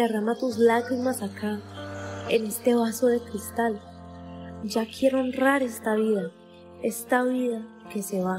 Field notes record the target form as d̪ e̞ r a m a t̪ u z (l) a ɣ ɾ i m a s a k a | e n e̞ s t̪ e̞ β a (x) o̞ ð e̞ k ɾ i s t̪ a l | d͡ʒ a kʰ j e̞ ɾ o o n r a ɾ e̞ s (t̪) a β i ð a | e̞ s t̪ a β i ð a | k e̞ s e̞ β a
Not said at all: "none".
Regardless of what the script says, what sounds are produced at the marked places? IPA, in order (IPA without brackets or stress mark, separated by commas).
l, s, t̪